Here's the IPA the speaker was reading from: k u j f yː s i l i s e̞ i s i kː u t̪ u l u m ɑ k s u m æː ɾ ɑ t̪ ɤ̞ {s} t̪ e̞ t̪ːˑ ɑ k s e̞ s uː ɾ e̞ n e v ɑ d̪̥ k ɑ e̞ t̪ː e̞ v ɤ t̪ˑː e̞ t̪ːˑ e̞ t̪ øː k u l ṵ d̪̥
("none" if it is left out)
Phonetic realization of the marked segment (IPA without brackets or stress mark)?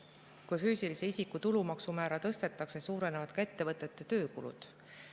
s